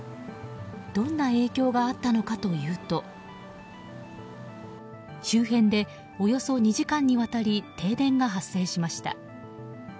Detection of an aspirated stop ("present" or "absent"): absent